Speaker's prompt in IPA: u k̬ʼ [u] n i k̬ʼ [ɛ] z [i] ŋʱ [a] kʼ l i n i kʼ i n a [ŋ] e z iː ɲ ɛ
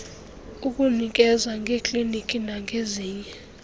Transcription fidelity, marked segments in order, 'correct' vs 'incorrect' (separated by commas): correct, correct, incorrect, incorrect, correct